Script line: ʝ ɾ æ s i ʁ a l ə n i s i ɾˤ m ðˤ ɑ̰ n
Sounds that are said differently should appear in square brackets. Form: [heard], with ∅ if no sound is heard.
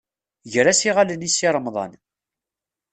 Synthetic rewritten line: ʝ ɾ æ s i ʁ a l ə n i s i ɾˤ m ðˤ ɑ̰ n